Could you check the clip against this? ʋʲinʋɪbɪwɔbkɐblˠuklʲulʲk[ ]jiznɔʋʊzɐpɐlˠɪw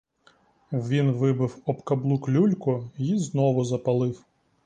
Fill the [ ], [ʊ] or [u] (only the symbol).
ʊ